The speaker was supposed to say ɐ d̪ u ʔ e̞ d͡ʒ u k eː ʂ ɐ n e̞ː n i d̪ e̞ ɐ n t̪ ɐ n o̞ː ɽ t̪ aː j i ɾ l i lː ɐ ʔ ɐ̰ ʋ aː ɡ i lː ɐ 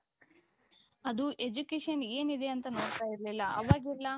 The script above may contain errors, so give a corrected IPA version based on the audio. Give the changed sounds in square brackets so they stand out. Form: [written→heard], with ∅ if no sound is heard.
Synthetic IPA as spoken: ɐ d̪ u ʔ e̞ d͡ʒ u k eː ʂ ɐ n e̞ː n i d̪ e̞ ɐ n t̪ ɐ n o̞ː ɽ t̪ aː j i ɾ l i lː ɐ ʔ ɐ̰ ʋ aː ɡ i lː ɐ